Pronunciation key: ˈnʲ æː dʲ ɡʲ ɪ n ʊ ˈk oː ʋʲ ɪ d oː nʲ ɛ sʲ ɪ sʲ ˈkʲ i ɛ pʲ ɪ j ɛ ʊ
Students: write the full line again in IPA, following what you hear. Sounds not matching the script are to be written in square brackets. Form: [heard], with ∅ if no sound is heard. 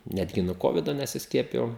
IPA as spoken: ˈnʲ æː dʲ ɡʲ ɪ n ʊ ˈk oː ʋʲ ɪ d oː nʲ ɛ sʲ ɪ sʲ ˈkʲ i ɛ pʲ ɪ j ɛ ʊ